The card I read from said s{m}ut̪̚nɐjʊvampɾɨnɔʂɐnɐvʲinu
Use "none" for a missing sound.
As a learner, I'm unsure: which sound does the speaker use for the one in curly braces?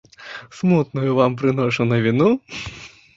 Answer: m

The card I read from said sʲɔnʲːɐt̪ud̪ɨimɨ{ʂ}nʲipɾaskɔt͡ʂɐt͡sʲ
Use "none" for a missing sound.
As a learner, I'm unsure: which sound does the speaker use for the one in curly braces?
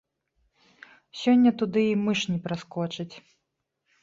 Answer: ʂ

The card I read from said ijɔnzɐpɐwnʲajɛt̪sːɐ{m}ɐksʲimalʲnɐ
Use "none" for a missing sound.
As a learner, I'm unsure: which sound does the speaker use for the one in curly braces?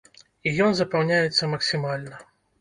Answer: m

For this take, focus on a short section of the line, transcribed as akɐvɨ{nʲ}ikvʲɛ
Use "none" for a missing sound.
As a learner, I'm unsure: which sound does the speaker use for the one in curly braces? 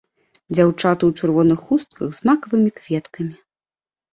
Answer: mʲ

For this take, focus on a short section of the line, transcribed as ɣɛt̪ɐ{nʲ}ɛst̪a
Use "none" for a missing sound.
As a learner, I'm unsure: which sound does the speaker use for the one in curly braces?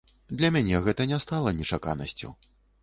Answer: nʲ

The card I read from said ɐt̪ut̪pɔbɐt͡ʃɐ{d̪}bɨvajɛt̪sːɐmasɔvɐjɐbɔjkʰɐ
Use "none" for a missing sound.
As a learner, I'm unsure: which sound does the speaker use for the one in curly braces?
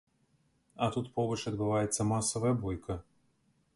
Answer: d̪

